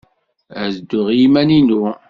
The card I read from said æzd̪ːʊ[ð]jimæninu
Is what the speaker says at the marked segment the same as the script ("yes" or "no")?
no